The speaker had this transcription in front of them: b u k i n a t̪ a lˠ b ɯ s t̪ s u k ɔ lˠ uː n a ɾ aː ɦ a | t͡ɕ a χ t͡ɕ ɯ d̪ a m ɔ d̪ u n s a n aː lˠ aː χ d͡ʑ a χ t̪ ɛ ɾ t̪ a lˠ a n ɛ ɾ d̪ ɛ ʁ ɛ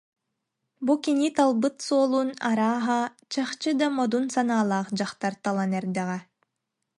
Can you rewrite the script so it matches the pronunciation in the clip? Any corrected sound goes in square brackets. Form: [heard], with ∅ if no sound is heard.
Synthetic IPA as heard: b u k i n [i] t̪ a lˠ b ɯ [∅] t̪ s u [∅] ɔ lˠ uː n a ɾ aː ɦ a | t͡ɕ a χ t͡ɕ ɯ d̪ a m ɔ d̪ u n s a n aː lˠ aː χ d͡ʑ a χ t̪ [a] ɾ t̪ a lˠ a n ɛ ɾ d̪ ɛ ʁ ɛ